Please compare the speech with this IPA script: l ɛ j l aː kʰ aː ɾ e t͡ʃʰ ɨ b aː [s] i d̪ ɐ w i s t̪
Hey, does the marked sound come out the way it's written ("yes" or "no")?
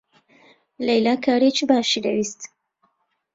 no